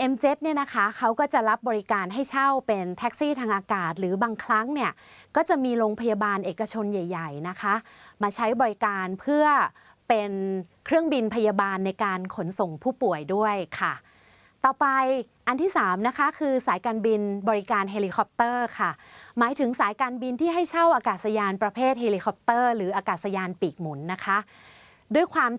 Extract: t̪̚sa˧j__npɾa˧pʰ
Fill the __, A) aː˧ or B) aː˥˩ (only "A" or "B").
A